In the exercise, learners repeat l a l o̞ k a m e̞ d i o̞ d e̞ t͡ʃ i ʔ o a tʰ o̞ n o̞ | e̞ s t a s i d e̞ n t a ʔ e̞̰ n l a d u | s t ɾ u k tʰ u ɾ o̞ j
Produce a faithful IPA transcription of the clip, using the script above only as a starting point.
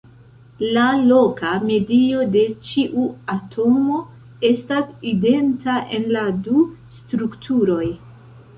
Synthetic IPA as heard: l a l o̞ k a m e̞ d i o̞ d e̞ t͡ʃ i ʔ u a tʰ o̞ m o̞ | e̞ s t a s i d e̞ n t a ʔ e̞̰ n l a d u | s t ɾ u k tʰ u ɾ o̞ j